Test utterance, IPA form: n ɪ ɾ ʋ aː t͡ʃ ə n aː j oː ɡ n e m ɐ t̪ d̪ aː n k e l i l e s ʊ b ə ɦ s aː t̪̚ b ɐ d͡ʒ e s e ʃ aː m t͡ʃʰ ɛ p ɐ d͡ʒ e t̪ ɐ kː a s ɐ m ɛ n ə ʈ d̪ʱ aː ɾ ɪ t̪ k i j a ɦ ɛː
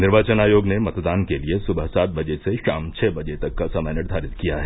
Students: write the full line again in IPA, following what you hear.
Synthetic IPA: n ɪ ɾ ʋ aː t͡ʃ ə n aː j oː ɡ n e m ɐ t̪ d̪ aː n k e l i e s ʊ b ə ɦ s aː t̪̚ b ɐ d͡ʒ e s e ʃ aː m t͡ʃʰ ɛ b ɐ d͡ʒ e t̪ ɐ kː a s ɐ m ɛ n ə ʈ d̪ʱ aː ɾ ɪ t̪ k i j a ɦ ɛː

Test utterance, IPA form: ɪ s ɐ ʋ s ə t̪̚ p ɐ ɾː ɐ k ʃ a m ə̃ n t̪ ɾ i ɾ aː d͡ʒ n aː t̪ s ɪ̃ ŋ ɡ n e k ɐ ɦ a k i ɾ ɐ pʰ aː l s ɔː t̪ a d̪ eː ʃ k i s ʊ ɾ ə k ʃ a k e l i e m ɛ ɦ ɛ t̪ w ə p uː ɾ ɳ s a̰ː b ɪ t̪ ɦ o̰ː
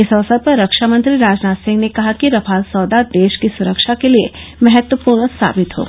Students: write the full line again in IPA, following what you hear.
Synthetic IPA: ɪ s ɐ ʋ s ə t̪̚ p ɐ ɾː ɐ k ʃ a m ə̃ n t̪ ɾ i ɾ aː d͡ʒ n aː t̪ s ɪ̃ ŋ ɡ n e k ɐ ɦ a k i ɾ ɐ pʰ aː l s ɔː d̪ a d̪ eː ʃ k i s ʊ ɾ ə k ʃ a k e l i e m ɛ ɦ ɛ t̪ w ə p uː ɾ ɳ s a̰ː b ɪ t̪ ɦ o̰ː

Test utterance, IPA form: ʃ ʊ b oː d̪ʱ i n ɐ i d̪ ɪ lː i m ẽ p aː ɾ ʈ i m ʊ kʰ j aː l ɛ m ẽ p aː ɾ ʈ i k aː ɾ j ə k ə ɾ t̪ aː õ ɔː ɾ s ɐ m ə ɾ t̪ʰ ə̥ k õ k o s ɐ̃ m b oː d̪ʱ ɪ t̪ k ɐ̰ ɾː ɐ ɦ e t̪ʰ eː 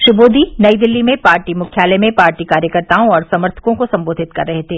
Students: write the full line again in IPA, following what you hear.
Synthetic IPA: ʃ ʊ b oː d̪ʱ i n ɐ i d̪ ɪ lː i m ẽ p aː ɾ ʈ i m ʊ kʰ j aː l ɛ m ẽ p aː ɾ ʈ i k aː ɾ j ə k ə ɾ t̪ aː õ ɔː ɾ s ɐ m ə ɾ t̪ʰ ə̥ k õ k o s ɐ̃ m b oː d̪ʱ ɪ t̪ k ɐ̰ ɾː ɐ ɦ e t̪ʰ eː

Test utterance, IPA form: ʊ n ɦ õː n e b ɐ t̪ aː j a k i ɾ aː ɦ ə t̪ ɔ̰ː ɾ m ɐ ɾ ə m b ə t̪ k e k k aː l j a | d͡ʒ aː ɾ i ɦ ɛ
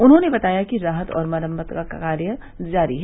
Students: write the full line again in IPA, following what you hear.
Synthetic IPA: ʊ n ɦ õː n e b ɐ t̪ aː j a k i ɾ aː ɦ ə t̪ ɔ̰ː ɾ m ɐ ɾ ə m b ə t̪ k a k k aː ɾ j ə | d͡ʒ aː ɾ i ɦ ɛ

